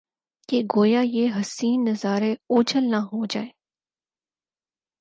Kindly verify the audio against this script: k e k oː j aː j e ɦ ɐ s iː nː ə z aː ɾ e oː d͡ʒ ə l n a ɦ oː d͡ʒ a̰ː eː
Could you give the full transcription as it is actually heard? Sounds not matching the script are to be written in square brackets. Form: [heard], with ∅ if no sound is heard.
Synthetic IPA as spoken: k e [ɡ] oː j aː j e ɦ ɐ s iː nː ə z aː ɾ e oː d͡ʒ ə l n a ɦ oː d͡ʒ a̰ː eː